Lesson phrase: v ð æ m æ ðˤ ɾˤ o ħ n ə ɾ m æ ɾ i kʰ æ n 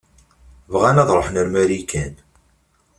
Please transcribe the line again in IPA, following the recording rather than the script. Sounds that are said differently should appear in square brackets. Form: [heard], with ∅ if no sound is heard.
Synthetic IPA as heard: v [ʁ] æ [n] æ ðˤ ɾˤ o ħ n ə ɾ m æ ɾ i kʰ æ n